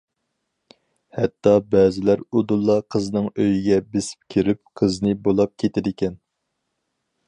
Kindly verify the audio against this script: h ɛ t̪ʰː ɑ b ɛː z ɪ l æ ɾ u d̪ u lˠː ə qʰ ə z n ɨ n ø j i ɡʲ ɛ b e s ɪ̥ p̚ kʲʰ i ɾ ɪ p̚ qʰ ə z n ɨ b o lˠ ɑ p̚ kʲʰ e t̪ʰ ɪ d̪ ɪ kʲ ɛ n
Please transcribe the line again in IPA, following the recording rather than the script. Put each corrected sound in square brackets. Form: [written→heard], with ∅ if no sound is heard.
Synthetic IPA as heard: h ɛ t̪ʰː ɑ b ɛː z ɪ l æ ɾ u d̪ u lˠː [ə→ɑ] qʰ ə z n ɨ [n→ŋ] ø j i ɡʲ ɛ b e s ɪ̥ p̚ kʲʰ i ɾ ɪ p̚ qʰ ə z n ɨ b o lˠ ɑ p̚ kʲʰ e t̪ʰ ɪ d̪ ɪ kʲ ɛ n

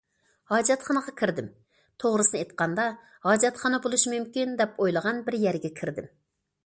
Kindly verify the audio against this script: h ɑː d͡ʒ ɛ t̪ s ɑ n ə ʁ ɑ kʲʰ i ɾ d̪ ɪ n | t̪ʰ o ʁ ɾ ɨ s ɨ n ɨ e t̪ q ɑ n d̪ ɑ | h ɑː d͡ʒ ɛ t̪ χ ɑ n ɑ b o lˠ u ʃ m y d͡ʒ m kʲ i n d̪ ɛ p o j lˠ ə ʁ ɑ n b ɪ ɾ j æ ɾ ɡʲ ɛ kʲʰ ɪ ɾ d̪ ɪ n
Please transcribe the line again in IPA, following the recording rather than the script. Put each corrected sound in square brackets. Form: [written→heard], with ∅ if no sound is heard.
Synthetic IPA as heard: h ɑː d͡ʒ ɛ t̪ [s→χ] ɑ n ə ʁ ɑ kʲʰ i ɾ d̪ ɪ [n→m] | t̪ʰ o ʁ ɾ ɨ s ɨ n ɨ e t̪ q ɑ n d̪ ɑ | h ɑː d͡ʒ ɛ t̪ χ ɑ n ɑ b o lˠ u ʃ m y [d͡ʒ→∅] m kʲ i n d̪ ɛ p o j lˠ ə ʁ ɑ n b ɪ ɾ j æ ɾ ɡʲ ɛ kʲʰ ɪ ɾ d̪ ɪ [n→m]

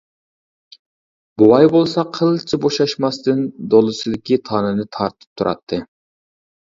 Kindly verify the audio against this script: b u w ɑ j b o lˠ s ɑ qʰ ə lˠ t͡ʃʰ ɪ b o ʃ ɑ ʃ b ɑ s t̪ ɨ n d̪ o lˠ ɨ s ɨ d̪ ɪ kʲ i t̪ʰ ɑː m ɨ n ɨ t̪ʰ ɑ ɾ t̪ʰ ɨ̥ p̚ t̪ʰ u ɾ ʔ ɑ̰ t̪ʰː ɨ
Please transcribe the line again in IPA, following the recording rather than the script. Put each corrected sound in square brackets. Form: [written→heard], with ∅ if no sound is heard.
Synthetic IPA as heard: b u w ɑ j b o lˠ s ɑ qʰ ə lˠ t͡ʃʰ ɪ b o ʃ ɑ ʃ [b→m] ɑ s t̪ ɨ n d̪ o lˠ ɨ s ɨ d̪ ɪ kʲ i t̪ʰ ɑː [m→n] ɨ n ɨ t̪ʰ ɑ ɾ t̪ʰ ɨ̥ p̚ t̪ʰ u ɾ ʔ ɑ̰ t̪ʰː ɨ

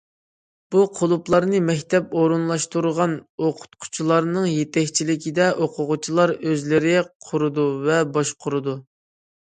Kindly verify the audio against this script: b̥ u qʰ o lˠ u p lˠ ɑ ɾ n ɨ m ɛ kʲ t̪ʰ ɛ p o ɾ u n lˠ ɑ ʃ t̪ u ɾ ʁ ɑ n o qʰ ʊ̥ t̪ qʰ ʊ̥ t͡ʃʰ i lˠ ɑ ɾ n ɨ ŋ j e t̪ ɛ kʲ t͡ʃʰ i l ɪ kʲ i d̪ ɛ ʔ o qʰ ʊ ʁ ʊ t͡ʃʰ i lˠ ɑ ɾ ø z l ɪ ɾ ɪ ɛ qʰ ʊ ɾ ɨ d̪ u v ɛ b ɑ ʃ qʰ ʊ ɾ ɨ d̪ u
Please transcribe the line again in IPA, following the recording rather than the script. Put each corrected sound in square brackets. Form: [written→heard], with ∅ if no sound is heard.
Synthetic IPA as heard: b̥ u qʰ o lˠ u p lˠ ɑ ɾ n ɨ m ɛ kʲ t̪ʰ ɛ p o ɾ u n lˠ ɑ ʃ t̪ u ɾ ʁ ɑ n o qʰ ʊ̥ t̪ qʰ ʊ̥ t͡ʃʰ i lˠ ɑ ɾ n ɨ ŋ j e t̪ ɛ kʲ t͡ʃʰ i l ɪ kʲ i d̪ ɛ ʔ o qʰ ʊ ʁ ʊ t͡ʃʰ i lˠ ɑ ɾ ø z l ɪ ɾ ɪ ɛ qʰ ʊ ɾ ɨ d̪ u v ɛ b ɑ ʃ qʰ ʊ ɾ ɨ d̪ u

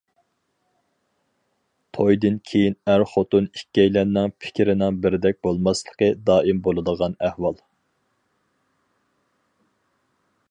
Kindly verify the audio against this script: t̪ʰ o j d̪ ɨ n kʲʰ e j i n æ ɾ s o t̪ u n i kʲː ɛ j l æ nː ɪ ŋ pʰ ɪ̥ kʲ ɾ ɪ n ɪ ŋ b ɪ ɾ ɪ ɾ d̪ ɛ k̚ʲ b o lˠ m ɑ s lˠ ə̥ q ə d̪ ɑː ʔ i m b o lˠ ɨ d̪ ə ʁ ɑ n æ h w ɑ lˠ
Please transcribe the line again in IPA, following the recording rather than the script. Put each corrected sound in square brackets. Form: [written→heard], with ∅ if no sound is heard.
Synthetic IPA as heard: t̪ʰ o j d̪ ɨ n kʲʰ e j i n æ ɾ [s→χ] o t̪ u n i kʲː ɛ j l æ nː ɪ ŋ pʰ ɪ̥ kʲ ɾ ɪ n ɪ ŋ b ɪ ɾ ɪ [ɾ→∅] d̪ ɛ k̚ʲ b o lˠ m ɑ s lˠ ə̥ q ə d̪ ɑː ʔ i m b o lˠ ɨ d̪ ə ʁ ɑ n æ h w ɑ lˠ

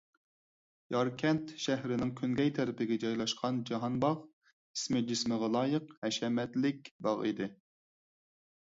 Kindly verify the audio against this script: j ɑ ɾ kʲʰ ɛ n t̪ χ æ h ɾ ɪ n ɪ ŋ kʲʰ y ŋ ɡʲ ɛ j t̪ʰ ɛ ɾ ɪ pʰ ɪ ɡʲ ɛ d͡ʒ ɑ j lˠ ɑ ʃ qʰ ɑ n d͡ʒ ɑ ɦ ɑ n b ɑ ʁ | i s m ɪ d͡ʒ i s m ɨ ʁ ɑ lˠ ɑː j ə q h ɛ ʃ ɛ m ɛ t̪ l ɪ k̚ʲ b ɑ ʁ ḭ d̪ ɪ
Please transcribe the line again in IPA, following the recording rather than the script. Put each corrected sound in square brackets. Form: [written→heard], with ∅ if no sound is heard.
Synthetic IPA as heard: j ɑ ɾ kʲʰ ɛ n t̪ [χ→ʃ] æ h ɾ ɪ n ɪ ŋ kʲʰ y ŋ ɡʲ ɛ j t̪ʰ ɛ ɾ ɪ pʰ ɪ ɡʲ ɛ d͡ʒ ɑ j lˠ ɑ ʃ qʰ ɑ n d͡ʒ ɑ ɦ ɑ n b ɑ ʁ | i s m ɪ d͡ʒ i s m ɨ ʁ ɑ lˠ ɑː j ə q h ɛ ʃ ɛ m ɛ t̪ l ɪ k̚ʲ b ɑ ʁ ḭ d̪ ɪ

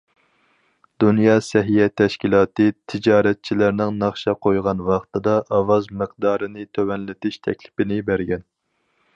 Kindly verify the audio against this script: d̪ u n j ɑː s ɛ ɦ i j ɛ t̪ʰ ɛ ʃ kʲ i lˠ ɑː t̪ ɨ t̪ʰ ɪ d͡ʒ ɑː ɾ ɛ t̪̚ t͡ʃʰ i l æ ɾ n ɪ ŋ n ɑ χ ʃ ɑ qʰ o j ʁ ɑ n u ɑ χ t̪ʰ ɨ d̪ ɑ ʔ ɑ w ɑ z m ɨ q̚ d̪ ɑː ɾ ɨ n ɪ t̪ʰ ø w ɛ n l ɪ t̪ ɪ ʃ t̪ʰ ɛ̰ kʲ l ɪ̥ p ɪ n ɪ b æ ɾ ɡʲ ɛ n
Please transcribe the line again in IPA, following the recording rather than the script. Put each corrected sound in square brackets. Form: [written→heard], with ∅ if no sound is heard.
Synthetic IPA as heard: d̪ u n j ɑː s ɛ ɦ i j ɛ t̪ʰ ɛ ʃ kʲ i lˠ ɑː t̪ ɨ t̪ʰ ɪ d͡ʒ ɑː ɾ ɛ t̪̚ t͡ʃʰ i l æ ɾ n ɪ ŋ n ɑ χ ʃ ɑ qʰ o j ʁ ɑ n [u→w] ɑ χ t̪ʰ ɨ d̪ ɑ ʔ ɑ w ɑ z m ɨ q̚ d̪ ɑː ɾ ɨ n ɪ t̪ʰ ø w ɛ n l ɪ t̪ ɪ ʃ t̪ʰ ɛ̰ kʲ l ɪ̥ p ɪ n ɪ b æ ɾ ɡʲ ɛ n

